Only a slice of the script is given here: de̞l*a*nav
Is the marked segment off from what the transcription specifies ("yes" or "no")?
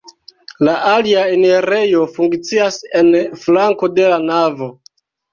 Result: no